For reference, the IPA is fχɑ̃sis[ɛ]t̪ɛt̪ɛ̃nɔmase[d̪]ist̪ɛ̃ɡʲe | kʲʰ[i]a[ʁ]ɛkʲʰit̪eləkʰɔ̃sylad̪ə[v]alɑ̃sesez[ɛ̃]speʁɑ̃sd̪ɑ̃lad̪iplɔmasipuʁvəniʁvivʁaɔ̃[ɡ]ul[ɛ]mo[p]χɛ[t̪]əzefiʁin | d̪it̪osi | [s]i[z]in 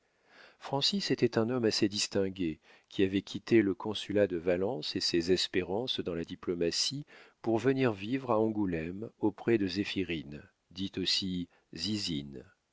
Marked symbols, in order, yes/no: no, yes, yes, no, yes, no, yes, yes, yes, no, no, yes

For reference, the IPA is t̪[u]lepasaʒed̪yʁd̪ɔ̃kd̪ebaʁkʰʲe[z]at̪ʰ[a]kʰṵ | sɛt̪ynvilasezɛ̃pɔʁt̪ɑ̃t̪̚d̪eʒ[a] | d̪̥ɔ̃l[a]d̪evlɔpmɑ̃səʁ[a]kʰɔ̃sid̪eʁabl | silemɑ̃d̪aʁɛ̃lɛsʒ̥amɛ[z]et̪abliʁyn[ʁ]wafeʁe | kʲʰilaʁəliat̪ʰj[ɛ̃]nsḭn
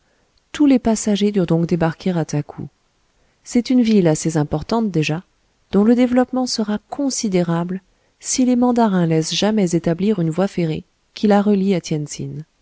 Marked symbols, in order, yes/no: yes, no, yes, yes, no, yes, yes, no, no

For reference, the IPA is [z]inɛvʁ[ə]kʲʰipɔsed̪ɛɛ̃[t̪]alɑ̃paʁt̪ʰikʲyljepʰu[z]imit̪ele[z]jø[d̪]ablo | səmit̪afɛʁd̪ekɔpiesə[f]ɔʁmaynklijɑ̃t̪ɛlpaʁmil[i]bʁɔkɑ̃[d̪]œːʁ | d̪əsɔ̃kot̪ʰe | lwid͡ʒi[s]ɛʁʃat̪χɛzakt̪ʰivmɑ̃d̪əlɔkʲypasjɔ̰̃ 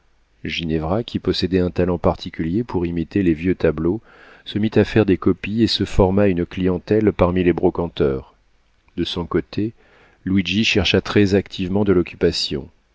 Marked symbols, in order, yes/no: no, no, yes, no, no, no, yes, no, no, no

